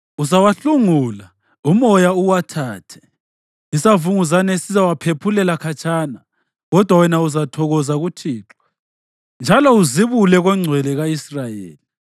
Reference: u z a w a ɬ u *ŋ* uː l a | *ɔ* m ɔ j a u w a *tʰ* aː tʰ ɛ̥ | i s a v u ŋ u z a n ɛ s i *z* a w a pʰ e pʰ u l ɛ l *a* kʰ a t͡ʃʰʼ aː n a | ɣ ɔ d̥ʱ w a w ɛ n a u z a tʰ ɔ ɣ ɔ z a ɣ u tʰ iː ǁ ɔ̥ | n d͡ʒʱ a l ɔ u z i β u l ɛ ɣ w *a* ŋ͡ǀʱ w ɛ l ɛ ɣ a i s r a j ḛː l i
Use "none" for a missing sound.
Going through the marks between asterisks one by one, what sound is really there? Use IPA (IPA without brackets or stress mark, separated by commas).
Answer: ŋ, u, tʰ, z, a, ɛ